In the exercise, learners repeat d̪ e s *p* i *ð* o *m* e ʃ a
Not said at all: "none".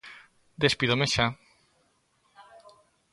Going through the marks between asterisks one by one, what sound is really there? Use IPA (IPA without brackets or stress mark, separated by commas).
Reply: p, ð, m